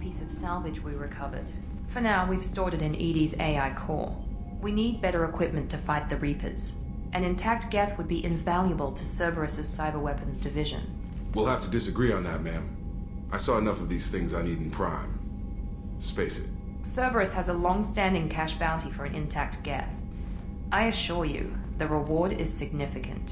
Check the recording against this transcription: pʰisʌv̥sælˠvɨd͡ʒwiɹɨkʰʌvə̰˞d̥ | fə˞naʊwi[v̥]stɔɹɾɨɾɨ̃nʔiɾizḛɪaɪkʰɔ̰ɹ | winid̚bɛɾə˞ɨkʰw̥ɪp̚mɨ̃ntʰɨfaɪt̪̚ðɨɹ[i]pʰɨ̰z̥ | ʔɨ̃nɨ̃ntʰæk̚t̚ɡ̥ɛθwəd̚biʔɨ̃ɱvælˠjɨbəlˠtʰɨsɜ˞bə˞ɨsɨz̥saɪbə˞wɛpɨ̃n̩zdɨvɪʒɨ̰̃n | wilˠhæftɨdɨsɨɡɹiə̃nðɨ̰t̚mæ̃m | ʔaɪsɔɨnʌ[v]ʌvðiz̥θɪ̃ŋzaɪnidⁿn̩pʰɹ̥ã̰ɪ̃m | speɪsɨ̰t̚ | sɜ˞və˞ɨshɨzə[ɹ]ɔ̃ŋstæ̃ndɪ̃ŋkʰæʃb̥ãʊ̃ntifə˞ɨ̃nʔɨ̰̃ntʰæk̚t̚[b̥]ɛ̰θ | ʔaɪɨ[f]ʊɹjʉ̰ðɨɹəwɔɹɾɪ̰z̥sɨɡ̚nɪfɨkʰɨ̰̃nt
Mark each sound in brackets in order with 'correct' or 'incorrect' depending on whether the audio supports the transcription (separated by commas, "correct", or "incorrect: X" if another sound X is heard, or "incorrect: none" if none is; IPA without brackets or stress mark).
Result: correct, correct, incorrect: f, incorrect: l, incorrect: ɡ̥, incorrect: ʃ